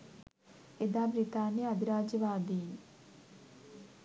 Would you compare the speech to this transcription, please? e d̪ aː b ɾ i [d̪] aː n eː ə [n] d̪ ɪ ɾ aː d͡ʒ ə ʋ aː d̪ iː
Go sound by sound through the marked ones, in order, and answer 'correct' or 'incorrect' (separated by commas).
incorrect, incorrect